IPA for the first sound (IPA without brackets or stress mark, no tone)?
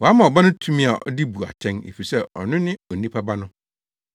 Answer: w